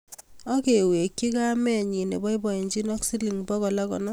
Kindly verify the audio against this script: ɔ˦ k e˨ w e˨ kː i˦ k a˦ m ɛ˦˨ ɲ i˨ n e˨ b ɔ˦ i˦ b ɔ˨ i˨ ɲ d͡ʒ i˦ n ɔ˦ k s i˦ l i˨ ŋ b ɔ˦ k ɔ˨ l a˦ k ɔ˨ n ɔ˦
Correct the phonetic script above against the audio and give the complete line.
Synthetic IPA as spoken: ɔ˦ k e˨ w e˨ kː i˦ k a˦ m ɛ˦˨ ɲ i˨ n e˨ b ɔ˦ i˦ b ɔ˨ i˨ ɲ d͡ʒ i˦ n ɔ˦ k s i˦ l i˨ ŋ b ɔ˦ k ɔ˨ l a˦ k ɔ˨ n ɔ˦